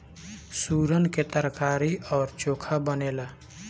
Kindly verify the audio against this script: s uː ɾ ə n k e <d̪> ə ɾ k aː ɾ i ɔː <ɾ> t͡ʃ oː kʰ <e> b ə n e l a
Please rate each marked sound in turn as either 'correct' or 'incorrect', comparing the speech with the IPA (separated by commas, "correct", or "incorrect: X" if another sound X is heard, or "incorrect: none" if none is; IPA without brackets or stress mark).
incorrect: t̪, correct, incorrect: a